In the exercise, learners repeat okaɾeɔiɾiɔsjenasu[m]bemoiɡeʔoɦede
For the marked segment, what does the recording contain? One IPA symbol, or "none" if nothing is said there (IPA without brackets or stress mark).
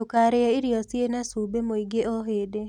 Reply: none